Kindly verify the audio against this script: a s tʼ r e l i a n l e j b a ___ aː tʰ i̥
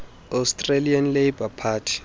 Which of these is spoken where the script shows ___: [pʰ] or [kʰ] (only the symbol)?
pʰ